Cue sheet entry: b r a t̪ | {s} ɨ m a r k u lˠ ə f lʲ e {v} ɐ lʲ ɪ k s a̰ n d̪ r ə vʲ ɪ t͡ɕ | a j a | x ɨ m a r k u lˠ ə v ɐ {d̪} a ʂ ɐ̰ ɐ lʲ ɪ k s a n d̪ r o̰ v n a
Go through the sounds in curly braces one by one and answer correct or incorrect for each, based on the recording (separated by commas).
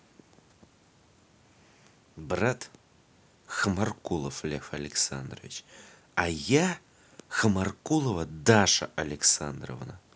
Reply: incorrect, incorrect, correct